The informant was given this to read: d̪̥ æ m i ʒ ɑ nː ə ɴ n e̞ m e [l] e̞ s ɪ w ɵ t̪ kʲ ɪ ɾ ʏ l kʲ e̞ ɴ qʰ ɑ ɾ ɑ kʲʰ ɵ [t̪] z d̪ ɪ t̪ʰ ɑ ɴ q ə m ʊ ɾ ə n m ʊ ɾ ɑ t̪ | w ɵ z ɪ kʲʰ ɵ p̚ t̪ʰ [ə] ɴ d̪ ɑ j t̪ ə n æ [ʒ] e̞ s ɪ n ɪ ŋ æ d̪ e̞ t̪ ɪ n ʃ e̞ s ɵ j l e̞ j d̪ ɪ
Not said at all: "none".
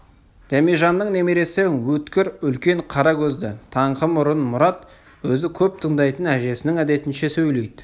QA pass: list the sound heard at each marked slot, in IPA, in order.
ɾ, none, ə, ʒ

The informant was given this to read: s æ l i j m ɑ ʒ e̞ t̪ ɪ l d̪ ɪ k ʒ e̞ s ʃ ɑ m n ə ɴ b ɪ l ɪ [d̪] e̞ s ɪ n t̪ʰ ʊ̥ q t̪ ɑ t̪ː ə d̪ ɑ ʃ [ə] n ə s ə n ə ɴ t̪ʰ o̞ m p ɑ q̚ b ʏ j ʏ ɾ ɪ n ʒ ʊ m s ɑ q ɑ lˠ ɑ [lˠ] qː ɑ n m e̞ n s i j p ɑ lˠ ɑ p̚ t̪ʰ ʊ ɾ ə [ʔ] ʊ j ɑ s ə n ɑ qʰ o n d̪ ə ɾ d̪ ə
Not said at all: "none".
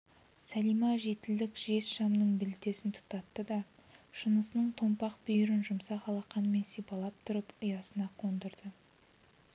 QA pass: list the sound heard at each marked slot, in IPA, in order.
t̪, ə, none, p

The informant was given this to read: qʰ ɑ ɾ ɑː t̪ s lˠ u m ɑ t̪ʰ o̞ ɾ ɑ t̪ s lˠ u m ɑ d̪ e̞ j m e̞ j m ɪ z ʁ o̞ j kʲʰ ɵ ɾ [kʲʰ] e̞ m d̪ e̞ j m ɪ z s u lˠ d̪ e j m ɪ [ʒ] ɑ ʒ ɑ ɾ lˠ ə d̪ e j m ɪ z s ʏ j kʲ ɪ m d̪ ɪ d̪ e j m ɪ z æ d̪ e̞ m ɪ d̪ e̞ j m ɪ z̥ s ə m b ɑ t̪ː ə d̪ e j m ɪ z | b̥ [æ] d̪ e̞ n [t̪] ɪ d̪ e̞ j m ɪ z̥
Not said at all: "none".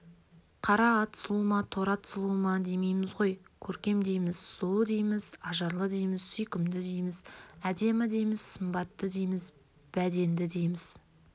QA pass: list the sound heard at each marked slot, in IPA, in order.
kʲ, z, æ, d̪

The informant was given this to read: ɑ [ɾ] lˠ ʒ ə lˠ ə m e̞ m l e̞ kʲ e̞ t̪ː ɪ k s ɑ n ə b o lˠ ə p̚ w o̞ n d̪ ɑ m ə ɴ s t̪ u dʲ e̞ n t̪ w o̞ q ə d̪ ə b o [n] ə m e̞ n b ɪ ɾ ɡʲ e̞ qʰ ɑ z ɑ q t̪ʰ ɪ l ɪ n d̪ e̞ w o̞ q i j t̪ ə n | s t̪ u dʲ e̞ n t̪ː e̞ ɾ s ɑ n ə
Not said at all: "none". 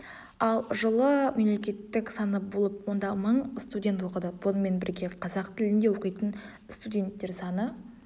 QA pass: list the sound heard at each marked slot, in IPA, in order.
none, n

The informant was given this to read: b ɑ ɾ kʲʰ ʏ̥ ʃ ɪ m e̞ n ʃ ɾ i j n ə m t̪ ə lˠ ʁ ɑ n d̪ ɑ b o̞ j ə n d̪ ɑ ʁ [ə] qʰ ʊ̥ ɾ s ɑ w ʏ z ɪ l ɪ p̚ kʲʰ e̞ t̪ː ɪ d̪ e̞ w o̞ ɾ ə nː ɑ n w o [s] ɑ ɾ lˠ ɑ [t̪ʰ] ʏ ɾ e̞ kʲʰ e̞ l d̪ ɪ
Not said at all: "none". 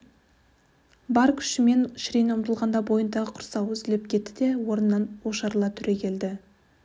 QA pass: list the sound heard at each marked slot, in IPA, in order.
ə, ʃ, t̪ʰ

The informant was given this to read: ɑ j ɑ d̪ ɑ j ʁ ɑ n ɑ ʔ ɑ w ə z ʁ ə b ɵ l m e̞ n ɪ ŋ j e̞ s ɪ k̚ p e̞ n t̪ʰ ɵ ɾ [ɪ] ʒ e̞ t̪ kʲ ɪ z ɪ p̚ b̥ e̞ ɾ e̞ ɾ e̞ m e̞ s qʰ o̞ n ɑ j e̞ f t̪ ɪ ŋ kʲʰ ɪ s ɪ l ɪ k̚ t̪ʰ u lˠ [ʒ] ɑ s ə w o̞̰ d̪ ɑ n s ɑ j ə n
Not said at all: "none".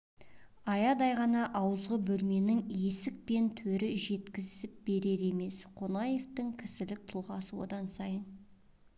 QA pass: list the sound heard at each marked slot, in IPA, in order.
ɪ, ʁ

